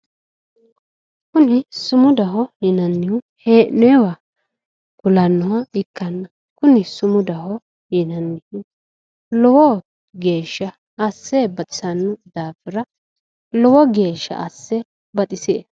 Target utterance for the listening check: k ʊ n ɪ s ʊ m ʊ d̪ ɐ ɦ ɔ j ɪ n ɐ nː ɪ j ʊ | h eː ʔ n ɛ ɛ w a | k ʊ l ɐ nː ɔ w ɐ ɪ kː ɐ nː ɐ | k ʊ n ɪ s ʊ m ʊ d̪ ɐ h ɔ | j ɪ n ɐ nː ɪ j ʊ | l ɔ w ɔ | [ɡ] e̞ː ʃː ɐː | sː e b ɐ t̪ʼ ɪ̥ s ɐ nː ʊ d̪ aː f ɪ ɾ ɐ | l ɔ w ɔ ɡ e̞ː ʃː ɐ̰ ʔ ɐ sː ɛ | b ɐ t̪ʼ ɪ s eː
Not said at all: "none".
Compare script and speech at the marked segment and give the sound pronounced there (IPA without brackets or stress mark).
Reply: ɡ